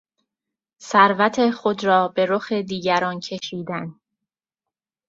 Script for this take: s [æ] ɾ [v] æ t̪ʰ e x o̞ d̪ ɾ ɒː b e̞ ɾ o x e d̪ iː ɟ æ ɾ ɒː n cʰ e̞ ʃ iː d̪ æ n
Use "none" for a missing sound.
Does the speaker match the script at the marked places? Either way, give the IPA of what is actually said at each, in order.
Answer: æ, v

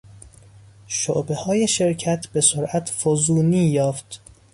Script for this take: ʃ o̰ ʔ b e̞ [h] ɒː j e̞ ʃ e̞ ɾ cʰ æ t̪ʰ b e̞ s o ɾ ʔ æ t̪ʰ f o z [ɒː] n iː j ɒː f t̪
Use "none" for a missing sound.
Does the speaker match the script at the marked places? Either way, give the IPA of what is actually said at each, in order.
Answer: h, uː

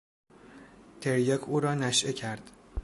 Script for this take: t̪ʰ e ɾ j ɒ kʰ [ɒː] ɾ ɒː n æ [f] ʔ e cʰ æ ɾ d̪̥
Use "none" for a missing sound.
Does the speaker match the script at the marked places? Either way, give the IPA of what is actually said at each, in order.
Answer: uː, ʃ

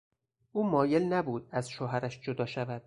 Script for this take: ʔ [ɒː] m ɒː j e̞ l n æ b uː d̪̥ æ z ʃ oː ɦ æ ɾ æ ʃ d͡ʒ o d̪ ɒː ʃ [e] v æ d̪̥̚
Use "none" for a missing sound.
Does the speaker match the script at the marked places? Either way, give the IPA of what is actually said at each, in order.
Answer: uː, æ

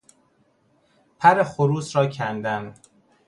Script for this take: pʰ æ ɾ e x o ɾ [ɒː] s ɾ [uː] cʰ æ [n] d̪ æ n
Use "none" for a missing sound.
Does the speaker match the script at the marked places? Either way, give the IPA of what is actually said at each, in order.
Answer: uː, ɒː, n

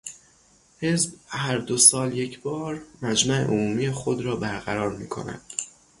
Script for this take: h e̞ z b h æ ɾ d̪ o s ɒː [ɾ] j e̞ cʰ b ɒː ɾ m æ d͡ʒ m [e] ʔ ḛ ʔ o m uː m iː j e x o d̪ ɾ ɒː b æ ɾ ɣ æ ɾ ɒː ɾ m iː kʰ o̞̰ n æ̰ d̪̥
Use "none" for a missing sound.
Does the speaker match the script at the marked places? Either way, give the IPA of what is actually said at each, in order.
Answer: l, æ

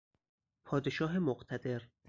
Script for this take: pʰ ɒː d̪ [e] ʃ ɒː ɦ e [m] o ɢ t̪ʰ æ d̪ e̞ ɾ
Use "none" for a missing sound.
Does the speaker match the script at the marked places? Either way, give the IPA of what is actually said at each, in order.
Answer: e, m

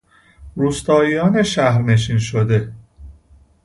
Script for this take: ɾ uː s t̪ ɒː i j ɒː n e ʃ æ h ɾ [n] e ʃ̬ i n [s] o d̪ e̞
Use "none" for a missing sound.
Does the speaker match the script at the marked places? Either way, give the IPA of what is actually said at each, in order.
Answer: n, ʃ

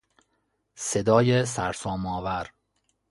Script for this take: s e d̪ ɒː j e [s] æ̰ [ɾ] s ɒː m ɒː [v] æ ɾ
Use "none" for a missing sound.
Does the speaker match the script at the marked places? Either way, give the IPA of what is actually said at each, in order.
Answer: s, ɾ, v

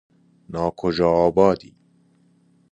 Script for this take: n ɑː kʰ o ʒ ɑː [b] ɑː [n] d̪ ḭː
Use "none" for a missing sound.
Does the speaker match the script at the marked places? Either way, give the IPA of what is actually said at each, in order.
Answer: b, none

